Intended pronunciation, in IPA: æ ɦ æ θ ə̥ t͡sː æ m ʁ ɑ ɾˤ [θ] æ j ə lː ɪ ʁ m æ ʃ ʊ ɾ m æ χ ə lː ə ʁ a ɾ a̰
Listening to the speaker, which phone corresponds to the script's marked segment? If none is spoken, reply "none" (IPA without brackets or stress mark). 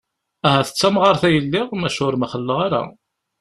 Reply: θ